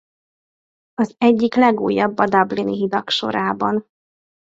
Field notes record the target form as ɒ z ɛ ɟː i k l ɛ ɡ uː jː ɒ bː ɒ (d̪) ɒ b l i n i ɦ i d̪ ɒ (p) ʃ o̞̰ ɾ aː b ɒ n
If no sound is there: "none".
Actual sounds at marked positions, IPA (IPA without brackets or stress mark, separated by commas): d̪, k